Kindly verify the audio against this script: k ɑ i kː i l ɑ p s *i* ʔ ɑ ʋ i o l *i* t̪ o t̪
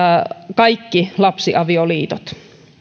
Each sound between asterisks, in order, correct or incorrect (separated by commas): correct, incorrect